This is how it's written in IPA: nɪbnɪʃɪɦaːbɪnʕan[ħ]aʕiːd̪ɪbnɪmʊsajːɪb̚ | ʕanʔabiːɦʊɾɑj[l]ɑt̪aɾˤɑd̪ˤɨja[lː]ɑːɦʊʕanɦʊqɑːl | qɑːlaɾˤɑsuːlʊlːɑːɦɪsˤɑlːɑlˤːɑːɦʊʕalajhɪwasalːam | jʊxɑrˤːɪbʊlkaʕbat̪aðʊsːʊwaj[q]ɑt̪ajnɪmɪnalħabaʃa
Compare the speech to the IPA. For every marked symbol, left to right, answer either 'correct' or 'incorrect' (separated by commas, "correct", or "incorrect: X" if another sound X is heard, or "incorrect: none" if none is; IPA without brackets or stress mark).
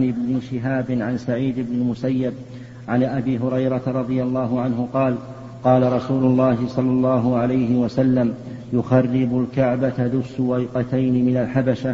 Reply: incorrect: s, incorrect: ɾ, correct, correct